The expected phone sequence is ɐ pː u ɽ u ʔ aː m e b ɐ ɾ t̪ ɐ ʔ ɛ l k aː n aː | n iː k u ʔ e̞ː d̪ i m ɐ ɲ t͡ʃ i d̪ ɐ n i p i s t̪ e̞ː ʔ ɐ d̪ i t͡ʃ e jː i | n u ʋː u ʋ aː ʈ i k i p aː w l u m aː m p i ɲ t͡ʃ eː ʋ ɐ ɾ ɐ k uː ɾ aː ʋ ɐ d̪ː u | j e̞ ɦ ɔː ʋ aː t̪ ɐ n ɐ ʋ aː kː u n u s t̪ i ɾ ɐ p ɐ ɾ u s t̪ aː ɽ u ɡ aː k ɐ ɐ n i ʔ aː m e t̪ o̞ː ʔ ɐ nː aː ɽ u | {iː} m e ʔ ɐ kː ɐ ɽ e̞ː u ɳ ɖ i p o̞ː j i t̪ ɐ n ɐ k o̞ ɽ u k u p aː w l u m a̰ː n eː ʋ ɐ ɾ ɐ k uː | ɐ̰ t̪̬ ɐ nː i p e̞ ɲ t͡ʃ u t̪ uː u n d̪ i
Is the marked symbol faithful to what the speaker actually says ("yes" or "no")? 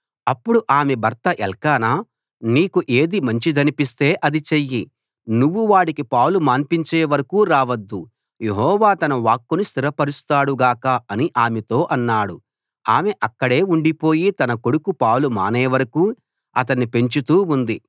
no